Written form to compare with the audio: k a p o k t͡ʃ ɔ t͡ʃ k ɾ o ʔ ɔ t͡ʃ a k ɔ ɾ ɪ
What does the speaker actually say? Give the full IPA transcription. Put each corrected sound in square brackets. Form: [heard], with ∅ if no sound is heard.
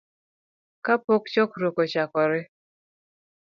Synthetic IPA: k a p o k t͡ʃ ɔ [∅] k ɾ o [k] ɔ t͡ʃ a k ɔ ɾ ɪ